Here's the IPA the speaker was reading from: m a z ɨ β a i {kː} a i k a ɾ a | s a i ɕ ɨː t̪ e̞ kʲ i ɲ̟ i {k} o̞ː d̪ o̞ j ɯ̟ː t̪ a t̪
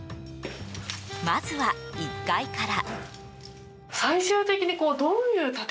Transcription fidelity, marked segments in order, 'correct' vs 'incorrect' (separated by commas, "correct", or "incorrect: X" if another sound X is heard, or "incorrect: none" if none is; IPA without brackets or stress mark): correct, correct